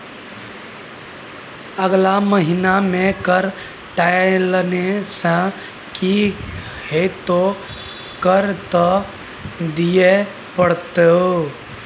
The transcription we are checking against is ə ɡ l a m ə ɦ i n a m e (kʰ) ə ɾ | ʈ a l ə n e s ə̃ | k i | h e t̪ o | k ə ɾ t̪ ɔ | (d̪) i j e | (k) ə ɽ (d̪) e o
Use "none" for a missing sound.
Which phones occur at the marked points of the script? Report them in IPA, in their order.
k, d̪, p, t̪

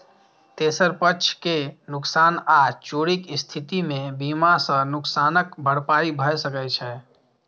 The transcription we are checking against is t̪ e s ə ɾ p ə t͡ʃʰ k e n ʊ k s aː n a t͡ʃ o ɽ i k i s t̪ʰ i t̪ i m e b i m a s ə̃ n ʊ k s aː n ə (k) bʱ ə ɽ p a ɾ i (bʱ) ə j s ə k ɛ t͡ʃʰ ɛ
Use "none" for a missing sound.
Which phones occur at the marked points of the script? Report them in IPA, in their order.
k, bʱ

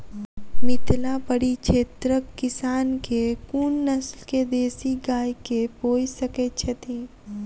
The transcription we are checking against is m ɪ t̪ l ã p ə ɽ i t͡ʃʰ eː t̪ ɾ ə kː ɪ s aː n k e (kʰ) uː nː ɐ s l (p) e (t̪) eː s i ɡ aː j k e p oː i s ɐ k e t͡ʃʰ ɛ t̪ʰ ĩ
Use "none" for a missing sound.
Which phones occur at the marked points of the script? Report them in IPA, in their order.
k, k, d̪

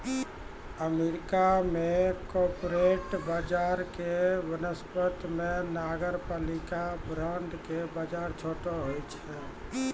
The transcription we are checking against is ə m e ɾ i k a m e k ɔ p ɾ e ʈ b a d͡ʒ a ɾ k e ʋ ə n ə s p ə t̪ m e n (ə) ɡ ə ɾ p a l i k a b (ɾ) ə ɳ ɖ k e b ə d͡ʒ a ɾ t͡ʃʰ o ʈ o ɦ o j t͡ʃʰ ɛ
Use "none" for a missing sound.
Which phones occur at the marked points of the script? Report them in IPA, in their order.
a, ɾ

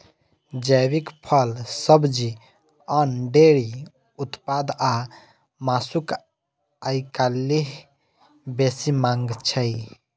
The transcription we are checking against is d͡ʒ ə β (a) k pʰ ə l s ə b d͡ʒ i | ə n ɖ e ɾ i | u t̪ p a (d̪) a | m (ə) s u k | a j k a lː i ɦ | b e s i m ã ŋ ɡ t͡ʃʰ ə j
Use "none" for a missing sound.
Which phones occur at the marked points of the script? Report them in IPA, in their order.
i, d̪, a

